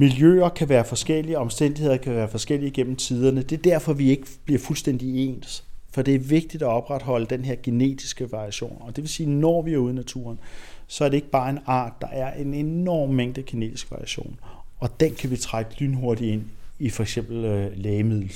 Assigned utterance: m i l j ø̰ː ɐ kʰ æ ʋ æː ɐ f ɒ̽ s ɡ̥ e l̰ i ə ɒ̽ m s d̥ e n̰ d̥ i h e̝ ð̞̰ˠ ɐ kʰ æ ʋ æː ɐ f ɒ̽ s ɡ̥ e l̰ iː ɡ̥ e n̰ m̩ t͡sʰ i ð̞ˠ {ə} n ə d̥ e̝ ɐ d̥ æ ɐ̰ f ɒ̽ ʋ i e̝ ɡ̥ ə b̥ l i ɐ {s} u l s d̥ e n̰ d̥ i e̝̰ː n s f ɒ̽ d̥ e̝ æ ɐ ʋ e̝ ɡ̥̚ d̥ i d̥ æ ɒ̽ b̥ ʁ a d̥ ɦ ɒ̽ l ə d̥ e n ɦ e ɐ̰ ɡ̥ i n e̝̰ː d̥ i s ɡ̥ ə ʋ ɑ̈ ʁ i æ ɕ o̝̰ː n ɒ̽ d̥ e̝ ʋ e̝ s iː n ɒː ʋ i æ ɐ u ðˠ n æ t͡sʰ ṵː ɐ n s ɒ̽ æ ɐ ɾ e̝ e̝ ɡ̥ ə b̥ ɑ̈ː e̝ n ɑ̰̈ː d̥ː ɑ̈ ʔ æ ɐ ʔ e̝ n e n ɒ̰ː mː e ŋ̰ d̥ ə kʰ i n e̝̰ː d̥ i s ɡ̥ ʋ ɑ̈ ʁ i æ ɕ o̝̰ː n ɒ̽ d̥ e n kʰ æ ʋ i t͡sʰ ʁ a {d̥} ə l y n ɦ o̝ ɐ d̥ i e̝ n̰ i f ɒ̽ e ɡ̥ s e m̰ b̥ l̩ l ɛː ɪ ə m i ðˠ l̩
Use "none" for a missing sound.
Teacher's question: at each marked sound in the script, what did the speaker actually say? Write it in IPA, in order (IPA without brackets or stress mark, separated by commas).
ɐ, f, ɡ̥